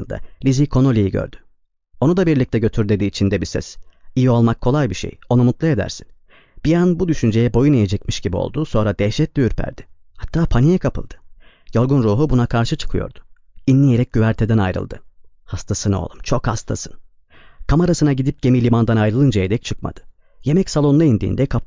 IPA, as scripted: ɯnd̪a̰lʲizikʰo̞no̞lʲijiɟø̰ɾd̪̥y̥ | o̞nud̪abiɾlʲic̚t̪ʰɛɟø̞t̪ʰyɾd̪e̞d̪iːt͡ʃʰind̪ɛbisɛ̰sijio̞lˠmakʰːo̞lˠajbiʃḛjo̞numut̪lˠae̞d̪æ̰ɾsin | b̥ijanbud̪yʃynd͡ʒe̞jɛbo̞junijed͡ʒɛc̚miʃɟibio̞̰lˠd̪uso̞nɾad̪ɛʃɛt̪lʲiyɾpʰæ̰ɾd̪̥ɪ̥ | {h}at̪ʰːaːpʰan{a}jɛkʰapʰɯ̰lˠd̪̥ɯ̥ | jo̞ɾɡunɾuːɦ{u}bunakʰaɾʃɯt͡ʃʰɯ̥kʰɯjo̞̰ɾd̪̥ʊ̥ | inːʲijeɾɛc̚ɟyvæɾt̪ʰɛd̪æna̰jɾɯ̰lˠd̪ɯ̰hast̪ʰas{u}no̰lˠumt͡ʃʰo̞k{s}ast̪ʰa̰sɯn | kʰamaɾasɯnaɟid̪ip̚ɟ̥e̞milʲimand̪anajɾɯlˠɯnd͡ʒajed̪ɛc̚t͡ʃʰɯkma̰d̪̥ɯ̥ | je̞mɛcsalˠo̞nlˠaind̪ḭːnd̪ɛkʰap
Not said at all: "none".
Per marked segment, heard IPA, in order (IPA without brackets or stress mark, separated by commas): h, i, u, ɯ, h